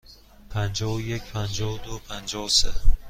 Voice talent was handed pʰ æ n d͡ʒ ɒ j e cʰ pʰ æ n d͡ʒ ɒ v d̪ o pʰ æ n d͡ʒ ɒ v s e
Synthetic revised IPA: pʰ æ n d͡ʒ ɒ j e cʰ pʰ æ n d͡ʒ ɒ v d̪ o pʰ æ n d͡ʒ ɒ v s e